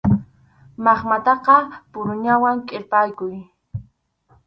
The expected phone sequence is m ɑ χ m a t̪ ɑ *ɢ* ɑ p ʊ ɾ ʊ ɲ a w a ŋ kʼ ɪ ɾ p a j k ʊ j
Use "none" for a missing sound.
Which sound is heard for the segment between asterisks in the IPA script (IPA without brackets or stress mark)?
q